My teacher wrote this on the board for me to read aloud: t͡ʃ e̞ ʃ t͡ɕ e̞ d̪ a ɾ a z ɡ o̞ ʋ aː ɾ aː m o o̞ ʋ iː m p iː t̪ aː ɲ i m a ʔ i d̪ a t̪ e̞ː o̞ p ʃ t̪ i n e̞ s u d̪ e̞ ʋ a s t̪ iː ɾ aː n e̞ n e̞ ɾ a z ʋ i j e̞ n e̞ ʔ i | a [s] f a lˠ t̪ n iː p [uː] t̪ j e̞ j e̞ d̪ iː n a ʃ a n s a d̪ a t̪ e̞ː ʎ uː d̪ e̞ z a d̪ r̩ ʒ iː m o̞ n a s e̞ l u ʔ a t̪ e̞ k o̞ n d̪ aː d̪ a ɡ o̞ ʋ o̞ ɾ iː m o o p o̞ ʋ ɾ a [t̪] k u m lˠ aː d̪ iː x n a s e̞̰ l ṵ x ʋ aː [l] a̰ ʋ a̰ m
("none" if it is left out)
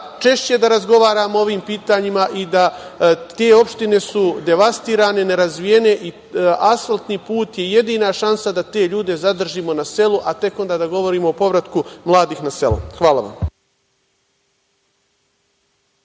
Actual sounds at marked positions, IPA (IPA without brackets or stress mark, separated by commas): s, uː, t̪, l